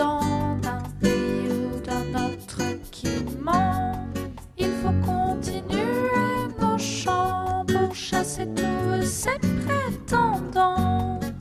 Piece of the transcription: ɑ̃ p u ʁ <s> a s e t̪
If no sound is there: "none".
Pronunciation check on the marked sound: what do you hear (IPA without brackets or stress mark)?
ʃ